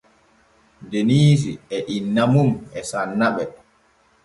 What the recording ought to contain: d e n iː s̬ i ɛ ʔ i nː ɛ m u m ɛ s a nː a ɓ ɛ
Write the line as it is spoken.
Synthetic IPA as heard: d e n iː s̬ i ɛ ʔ i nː a m u m ɛ s a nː a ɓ ɛ